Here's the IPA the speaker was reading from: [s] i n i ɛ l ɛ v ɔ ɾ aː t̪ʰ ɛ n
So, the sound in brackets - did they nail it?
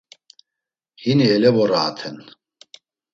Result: no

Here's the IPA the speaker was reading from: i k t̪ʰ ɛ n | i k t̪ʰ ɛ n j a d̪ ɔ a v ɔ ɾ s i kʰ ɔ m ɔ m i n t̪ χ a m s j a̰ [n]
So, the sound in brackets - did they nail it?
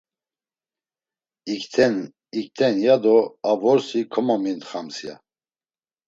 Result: no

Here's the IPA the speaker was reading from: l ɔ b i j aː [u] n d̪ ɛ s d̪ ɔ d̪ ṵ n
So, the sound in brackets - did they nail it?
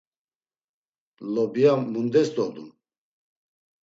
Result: yes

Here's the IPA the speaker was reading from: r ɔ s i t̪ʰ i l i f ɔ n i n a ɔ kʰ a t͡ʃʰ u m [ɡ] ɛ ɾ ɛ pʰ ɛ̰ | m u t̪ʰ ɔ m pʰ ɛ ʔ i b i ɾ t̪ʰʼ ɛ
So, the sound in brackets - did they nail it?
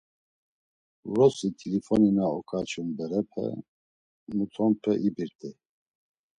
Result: no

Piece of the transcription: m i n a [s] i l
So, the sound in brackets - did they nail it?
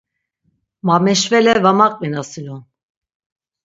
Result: yes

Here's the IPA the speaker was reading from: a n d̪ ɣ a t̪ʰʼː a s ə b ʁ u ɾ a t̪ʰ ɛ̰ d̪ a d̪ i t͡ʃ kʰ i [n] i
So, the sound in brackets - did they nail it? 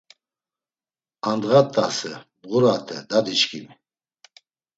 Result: no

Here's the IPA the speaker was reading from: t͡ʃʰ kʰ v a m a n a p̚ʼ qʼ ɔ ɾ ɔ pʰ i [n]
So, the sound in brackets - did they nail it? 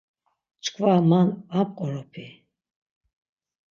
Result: no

